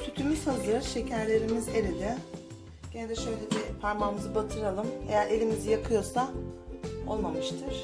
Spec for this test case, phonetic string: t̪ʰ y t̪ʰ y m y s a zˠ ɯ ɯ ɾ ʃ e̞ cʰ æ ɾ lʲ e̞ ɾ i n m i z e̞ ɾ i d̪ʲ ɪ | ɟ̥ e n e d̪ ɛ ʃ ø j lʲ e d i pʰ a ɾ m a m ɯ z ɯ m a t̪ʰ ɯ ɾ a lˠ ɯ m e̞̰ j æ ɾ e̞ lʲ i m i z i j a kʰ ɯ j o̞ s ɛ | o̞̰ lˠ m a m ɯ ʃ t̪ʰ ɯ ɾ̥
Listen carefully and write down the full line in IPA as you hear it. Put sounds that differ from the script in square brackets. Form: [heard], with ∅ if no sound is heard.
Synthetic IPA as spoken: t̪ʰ y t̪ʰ y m y s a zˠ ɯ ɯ ɾ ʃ e̞ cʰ æ ɾ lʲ e̞ ɾ i [∅] m i z e̞ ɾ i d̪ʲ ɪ | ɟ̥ e n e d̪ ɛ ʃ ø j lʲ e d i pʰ a ɾ m a m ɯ z ɯ [b] a t̪ʰ ɯ ɾ a lˠ ɯ m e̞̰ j æ ɾ e̞ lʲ i m i z i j a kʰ ɯ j o̞ s [a] | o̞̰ lˠ m a m ɯ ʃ t̪ʰ ɯ ɾ̥